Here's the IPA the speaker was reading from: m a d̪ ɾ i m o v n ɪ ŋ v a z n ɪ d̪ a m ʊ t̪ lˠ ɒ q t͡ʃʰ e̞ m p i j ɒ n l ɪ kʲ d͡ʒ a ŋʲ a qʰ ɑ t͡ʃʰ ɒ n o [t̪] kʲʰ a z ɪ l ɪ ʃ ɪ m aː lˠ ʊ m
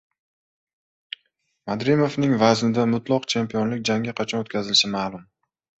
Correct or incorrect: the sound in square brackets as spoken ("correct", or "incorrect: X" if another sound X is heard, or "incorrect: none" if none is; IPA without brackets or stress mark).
correct